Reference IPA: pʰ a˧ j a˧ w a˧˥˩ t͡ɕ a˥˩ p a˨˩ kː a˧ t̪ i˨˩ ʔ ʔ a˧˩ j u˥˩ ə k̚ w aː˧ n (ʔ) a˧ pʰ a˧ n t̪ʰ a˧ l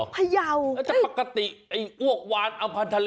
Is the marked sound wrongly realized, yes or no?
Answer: no